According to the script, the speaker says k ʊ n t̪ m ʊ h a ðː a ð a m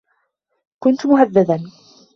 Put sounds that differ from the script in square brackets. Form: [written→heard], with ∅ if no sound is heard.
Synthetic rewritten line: k ʊ n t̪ m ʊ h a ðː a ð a [m→n]